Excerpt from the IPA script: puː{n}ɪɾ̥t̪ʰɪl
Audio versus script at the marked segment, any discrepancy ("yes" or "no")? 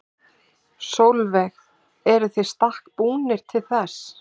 no